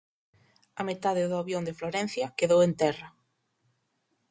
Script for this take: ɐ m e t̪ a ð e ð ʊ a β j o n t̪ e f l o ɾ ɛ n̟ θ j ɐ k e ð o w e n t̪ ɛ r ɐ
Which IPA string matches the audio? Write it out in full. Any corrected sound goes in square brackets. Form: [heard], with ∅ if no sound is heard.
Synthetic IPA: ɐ m e t̪ a ð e ð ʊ a β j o n [d̪] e f l o ɾ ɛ n̟ θ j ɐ k e ð o w e n t̪ ɛ r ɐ